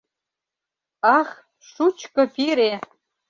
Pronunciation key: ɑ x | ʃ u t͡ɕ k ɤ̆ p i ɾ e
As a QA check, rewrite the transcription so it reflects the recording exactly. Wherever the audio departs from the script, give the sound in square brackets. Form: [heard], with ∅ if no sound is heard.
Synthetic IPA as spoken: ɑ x | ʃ u t͡ɕ k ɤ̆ p i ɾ e

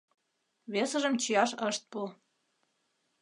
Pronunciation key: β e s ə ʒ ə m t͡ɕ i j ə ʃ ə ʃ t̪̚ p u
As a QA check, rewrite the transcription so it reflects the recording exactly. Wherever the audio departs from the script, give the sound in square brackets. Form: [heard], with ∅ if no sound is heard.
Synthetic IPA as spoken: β e s ə ʒ ə m t͡ɕ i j [ɑ] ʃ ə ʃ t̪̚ p u

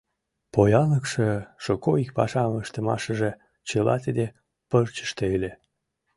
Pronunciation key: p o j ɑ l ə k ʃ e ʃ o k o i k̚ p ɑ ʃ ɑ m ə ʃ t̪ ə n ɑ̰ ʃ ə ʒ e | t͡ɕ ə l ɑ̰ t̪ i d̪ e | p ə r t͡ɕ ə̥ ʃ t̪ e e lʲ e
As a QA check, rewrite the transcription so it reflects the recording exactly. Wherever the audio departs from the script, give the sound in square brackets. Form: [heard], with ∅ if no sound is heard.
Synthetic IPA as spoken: p o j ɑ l ə k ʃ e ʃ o k o i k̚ p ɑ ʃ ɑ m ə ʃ t̪ ə [m] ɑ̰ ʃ ə ʒ e | t͡ɕ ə l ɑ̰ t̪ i d̪ e | p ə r t͡ɕ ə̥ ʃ t̪ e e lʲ e

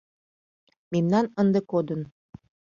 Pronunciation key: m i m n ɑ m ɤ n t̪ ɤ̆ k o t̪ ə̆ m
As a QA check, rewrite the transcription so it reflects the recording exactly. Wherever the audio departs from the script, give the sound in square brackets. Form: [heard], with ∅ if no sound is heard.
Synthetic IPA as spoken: m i m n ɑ [n] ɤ n [d̪] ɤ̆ k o [d̪] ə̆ [n]

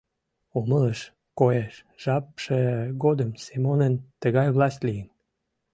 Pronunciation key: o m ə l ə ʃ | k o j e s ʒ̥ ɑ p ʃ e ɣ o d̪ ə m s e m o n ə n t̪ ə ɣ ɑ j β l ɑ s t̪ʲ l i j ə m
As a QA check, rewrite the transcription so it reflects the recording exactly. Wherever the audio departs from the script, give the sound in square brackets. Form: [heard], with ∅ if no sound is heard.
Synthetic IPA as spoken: o m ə l ə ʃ | k o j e [ʃ] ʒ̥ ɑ p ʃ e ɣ o d̪ ə m s e m o n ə n t̪ ə ɣ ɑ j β l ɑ s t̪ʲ l i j ə [n]

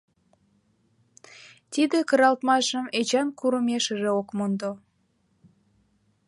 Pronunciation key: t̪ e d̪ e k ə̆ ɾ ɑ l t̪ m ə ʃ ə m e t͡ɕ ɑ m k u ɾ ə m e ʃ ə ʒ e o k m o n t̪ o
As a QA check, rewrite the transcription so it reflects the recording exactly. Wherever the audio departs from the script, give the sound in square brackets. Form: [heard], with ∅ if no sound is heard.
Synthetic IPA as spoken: t̪ [i] d̪ e k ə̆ ɾ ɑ l t̪ m [ɑ] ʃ ə m e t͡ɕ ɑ [n] k u ɾ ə m e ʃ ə ʒ e o k m o n [d̪] o

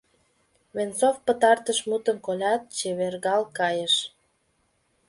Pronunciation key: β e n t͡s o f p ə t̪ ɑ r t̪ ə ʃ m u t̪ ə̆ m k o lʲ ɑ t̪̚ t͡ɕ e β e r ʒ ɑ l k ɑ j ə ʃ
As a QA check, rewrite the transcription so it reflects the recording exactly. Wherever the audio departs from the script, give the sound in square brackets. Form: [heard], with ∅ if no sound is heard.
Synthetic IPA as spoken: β e n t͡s o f p ə t̪ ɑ r t̪ ə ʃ m u t̪ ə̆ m k o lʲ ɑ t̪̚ t͡ɕ e β e r [ɣ] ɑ l k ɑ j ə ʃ

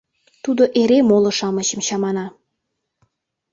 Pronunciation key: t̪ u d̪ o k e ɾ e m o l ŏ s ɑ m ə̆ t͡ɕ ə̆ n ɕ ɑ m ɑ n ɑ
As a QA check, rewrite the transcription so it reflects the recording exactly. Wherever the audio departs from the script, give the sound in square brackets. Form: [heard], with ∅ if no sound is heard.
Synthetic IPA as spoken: t̪ u d̪ o [ʔ] e ɾ e m o l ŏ [ʃ] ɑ m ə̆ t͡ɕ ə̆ [m] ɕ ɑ m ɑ n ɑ

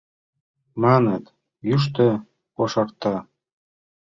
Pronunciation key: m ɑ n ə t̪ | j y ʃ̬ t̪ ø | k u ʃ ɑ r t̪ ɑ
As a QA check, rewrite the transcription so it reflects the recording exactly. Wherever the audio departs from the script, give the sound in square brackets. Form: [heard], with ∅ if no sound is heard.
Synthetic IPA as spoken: m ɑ n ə t̪ | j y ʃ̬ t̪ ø | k [o] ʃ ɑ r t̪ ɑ

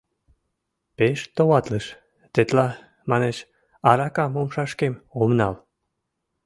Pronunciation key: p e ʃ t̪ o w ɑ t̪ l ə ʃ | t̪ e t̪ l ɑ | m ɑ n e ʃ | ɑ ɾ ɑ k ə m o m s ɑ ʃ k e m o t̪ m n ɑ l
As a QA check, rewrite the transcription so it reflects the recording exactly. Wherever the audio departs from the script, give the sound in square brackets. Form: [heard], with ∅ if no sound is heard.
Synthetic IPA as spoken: p e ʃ t̪ o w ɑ t̪ l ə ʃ | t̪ e t̪ l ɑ | m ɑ n e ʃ | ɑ ɾ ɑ k [ɑ] m o m [ʃ] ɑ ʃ k e m o [∅] m n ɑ l

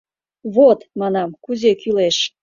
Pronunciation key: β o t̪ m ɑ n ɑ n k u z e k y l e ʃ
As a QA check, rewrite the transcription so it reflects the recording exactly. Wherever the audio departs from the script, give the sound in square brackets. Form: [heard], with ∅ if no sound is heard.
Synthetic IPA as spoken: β o t̪ m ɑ n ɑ [m] k u z e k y l e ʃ

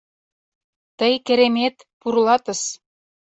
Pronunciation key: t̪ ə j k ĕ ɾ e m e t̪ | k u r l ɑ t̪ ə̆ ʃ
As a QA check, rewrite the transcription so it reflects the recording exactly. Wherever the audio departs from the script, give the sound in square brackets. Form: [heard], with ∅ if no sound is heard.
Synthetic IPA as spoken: t̪ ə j k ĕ ɾ e m e t̪ | [p] u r l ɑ t̪ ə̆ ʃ

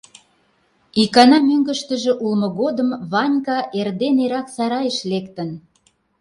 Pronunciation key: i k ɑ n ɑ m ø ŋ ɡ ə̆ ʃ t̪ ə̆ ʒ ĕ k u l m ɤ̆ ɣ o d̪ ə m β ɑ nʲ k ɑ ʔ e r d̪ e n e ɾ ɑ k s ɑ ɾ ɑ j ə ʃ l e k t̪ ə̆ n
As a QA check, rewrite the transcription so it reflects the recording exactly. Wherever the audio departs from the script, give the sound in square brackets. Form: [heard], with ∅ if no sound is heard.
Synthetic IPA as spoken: i k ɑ n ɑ m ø ŋ ɡ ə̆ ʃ t̪ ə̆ ʒ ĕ [ʔ] u l m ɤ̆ ɣ o d̪ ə m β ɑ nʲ k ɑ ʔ e r d̪ e n e ɾ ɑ k s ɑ ɾ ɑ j ə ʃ l e k t̪ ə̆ n

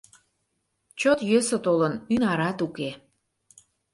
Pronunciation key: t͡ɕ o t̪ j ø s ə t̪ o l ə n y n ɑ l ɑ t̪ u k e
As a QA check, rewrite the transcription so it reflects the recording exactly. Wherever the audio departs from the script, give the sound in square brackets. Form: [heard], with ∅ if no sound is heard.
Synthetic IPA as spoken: t͡ɕ o t̪ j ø s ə t̪ o l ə n y n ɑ [ɾ] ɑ t̪ u k e

